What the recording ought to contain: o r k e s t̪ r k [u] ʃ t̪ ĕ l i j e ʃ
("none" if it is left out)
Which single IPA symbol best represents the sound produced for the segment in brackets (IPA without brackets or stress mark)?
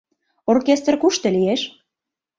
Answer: u